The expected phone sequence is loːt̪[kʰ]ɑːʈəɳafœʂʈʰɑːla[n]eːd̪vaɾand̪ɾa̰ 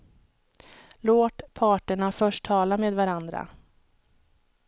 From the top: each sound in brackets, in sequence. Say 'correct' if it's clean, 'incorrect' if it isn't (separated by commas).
incorrect, incorrect